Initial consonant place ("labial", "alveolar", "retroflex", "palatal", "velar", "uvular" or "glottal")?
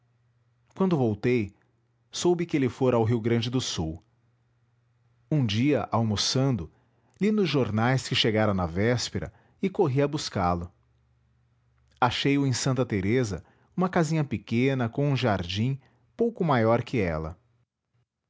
velar